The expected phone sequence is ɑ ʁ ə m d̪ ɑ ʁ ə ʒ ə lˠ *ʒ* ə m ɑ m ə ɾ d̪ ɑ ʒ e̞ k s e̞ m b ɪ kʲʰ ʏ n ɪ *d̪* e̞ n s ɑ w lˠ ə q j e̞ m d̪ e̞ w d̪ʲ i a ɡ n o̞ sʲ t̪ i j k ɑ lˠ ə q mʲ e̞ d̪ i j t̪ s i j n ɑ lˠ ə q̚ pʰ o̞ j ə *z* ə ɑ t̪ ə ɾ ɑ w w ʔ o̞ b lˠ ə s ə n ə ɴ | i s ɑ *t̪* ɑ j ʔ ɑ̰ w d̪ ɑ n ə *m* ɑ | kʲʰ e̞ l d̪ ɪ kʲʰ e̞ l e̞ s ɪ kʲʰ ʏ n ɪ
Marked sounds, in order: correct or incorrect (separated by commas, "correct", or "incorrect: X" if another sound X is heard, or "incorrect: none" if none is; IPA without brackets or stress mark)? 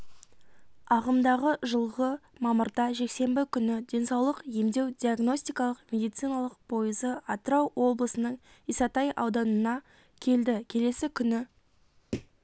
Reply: incorrect: ʁ, correct, correct, correct, incorrect: n